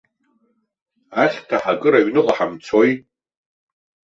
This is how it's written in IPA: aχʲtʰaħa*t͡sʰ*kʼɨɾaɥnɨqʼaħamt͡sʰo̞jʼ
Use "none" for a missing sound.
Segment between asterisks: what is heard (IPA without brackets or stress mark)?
none